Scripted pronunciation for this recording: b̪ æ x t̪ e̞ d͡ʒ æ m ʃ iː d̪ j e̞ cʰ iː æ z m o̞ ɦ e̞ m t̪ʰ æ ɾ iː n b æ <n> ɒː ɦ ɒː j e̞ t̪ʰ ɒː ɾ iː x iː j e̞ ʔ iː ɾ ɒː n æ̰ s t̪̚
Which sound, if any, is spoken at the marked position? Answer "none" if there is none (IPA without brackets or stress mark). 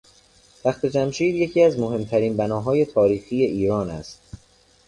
n